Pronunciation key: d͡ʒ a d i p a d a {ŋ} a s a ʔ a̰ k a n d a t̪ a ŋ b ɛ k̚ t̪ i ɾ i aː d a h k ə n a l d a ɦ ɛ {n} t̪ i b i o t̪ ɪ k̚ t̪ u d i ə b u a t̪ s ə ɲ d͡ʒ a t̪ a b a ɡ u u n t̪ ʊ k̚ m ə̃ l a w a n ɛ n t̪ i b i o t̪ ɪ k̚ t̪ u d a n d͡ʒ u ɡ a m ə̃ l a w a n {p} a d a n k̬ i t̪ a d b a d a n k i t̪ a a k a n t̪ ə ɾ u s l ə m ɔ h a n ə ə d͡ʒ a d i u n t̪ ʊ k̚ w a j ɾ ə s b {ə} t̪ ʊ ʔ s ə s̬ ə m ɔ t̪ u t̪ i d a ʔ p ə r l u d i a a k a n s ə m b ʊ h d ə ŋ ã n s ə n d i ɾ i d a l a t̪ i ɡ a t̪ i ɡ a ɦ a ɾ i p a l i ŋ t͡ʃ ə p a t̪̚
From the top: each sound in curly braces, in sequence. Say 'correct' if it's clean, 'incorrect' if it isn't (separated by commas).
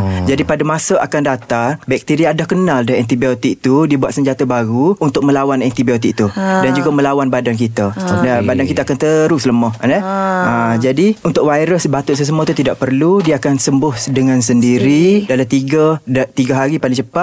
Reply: incorrect, correct, incorrect, incorrect